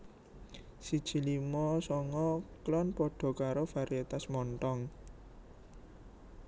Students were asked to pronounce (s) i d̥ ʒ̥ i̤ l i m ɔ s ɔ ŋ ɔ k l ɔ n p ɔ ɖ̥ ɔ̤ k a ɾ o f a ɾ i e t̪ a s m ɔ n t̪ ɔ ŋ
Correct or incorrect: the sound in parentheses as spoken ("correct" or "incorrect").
correct